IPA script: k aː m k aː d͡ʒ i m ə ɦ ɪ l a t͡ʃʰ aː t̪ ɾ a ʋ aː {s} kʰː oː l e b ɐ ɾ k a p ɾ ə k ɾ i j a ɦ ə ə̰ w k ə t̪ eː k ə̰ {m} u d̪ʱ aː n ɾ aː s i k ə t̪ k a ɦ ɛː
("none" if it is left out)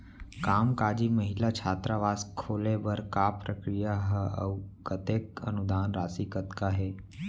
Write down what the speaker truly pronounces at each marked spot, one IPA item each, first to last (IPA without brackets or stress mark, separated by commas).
s, n